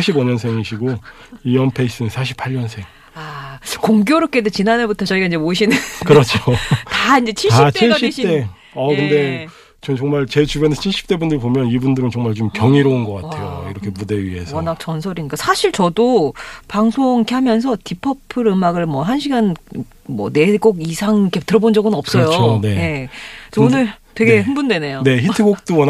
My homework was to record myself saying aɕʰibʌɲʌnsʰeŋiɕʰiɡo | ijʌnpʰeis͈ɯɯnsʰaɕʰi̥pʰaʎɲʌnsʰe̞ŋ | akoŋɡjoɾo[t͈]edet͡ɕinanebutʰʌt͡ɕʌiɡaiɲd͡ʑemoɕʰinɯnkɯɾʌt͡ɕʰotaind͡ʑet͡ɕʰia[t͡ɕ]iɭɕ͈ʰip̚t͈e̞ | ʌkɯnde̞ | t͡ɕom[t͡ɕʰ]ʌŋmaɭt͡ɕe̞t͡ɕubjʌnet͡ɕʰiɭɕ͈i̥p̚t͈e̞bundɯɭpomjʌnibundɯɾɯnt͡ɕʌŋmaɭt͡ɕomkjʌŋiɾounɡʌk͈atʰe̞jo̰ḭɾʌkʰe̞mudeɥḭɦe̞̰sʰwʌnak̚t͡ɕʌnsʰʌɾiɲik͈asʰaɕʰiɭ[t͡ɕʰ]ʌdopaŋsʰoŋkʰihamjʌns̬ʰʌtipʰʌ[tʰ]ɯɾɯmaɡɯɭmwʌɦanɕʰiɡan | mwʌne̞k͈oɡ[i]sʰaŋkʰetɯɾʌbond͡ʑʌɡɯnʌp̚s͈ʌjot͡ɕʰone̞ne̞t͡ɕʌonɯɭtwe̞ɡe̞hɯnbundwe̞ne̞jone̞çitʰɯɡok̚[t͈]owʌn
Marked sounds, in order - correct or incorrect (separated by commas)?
incorrect, incorrect, incorrect, incorrect, incorrect, correct, correct